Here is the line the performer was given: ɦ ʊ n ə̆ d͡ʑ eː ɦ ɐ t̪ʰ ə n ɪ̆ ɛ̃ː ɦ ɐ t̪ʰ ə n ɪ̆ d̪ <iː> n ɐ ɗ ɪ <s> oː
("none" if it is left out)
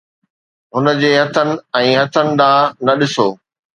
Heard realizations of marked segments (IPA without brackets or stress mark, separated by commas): aː, s